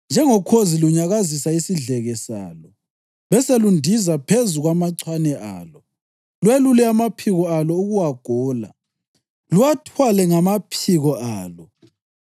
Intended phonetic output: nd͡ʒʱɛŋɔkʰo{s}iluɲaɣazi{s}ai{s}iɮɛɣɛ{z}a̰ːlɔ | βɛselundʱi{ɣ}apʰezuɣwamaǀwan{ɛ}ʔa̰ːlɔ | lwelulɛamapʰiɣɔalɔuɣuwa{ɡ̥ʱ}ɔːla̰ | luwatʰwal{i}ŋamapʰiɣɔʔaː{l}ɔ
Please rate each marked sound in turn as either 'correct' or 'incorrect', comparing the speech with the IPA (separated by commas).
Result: incorrect, correct, correct, incorrect, incorrect, correct, correct, incorrect, correct